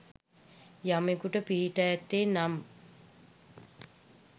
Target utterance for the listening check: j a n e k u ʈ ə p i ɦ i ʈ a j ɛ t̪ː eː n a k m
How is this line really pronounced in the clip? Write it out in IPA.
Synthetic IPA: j a m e k u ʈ ə p i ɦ i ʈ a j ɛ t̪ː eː n a m